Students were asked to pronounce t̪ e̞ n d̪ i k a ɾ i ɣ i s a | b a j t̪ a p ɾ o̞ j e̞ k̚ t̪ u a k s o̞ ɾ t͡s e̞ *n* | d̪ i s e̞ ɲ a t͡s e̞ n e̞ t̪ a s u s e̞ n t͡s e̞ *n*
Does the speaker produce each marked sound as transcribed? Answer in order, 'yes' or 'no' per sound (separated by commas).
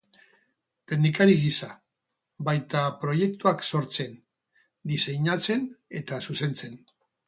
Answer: yes, yes